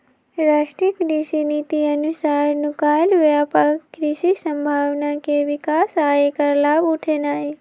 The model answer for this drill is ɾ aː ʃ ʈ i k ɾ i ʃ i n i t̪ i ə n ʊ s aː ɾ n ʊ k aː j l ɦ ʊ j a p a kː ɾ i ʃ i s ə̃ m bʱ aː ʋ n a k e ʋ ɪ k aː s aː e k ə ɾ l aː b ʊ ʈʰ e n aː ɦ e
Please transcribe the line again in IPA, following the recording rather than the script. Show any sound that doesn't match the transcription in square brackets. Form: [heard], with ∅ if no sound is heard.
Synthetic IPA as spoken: ɾ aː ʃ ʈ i k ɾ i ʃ i n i t̪ i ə n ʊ s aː ɾ n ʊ k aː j l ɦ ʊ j a p a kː ɾ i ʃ i s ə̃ m bʱ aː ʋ n a k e ʋ ɪ k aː s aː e k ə ɾ l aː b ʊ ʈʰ e n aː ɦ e